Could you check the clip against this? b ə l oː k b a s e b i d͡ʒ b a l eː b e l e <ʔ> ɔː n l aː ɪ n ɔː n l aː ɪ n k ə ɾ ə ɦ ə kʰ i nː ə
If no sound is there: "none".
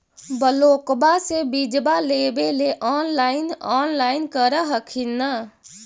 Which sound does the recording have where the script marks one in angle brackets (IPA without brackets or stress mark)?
ʔ